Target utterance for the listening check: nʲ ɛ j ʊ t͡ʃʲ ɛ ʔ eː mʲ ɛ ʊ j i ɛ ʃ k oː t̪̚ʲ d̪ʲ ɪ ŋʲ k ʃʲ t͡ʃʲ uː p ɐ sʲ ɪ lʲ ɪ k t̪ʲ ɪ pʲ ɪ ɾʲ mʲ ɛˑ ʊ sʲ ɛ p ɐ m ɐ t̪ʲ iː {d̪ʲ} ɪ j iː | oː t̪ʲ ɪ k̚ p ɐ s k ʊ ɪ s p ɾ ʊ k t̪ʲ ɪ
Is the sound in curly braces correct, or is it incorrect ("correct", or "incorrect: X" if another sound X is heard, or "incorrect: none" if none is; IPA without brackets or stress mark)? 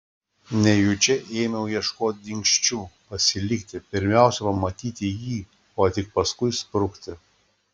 incorrect: t̪ʲ